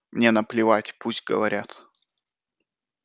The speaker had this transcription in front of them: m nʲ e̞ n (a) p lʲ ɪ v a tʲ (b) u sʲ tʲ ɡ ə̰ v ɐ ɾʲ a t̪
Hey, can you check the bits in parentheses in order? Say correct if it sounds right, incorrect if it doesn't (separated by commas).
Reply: incorrect, incorrect